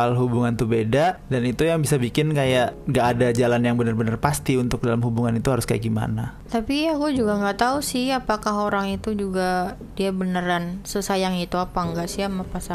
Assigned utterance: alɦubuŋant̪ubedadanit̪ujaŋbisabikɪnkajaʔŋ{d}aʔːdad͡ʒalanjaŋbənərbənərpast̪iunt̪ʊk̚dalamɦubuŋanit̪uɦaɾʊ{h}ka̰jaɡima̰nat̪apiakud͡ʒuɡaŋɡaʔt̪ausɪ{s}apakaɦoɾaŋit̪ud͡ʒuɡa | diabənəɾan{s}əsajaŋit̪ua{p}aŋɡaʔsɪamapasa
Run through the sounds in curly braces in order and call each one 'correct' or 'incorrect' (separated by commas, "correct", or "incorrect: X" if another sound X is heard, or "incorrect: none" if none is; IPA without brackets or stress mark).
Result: incorrect: ɡ, incorrect: s, incorrect: h, correct, correct